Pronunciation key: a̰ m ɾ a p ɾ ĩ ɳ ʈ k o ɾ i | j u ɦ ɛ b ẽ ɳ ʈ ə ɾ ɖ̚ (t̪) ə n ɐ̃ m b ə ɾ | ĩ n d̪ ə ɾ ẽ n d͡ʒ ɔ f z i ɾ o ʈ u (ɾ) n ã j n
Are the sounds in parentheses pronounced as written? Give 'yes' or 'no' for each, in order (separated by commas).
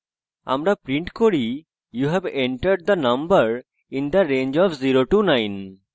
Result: no, no